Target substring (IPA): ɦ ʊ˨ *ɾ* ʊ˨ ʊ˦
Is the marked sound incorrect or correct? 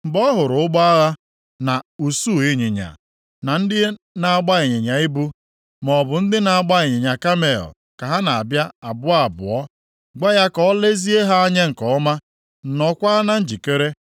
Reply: correct